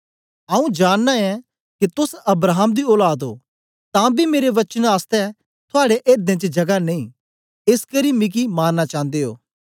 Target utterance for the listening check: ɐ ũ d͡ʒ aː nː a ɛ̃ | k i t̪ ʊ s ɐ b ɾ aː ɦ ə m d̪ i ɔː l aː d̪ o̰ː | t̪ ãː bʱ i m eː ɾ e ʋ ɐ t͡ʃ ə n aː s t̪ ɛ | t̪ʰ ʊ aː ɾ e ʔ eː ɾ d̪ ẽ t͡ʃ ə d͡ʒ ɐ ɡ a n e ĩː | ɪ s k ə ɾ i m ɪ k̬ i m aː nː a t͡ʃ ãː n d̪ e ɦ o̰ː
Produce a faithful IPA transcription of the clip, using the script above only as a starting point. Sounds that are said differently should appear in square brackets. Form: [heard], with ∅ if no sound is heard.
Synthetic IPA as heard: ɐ ũ d͡ʒ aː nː a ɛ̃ | k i t̪ ʊ s ɐ b ɾ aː ɦ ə m d̪ i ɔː l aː d̪ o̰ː | t̪ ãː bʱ i m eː ɾ e ʋ ɐ t͡ʃ ə n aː s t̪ ɛ | t̪ʰ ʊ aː [ɽ] e ʔ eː ɾ d̪ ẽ t͡ʃ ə d͡ʒ ɐ ɡ a n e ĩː | ɪ s k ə ɾ i m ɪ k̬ i m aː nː a t͡ʃ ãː n d̪ e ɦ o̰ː